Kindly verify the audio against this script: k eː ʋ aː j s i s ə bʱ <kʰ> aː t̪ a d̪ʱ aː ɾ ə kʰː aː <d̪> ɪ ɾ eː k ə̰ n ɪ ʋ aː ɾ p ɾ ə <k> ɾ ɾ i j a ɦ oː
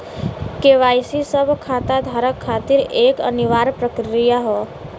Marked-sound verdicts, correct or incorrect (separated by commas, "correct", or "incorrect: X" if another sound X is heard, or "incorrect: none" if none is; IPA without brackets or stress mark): correct, incorrect: t̪, correct